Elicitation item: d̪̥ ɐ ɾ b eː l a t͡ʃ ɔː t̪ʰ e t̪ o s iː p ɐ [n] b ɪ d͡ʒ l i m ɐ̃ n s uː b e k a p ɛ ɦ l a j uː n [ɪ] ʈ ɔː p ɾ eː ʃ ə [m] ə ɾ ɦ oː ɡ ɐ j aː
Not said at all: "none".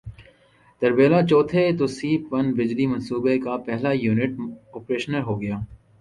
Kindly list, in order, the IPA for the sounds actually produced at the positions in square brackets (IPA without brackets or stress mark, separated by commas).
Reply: n, ɪ, n